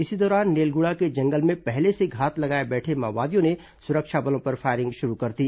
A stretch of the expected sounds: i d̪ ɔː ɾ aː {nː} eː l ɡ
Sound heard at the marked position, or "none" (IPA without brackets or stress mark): nː